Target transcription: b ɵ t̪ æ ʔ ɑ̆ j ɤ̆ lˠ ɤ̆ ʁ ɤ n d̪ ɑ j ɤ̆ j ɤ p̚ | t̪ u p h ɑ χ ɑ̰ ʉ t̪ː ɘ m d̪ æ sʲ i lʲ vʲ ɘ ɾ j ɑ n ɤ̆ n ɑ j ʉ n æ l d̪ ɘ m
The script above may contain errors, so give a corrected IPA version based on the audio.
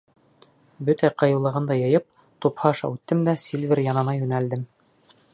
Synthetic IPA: b ɵ t̪ æ q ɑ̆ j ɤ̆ lˠ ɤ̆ ʁ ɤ n d̪ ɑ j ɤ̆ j ɤ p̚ | t̪ u p h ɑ ʃ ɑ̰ ʉ t̪ː ɘ m d̪ æ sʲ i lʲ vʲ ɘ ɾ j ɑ n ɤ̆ n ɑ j ʉ n æ l d̪ ɘ m